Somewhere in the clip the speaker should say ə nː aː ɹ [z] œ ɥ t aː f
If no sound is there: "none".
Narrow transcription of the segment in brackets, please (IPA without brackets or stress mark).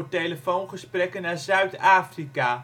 z